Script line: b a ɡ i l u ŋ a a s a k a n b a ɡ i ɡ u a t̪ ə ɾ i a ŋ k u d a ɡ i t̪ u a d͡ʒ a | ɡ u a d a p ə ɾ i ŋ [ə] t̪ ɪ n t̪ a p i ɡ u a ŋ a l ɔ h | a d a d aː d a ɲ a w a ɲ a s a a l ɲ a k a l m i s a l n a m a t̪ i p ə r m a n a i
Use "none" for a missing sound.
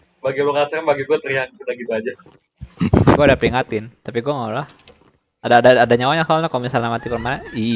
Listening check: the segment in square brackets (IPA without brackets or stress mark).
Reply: a